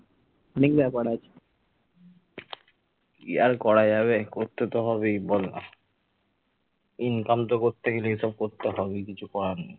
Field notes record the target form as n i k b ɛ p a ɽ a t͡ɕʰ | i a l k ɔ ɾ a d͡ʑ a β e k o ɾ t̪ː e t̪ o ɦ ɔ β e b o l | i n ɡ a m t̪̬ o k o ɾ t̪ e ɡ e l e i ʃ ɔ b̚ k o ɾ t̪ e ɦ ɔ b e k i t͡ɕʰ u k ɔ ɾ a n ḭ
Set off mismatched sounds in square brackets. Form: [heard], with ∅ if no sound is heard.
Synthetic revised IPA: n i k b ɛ p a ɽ a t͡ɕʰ | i a [ɾ] k ɔ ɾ a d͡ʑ a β e k o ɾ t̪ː e t̪ o ɦ ɔ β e b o l | i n [k] a m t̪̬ o k o ɾ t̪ e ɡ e l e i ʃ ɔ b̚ k o ɾ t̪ e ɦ ɔ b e k i t͡ɕʰ u k ɔ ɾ a n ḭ